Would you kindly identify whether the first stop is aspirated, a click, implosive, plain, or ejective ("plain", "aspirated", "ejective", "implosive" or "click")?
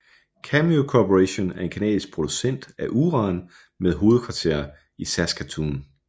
aspirated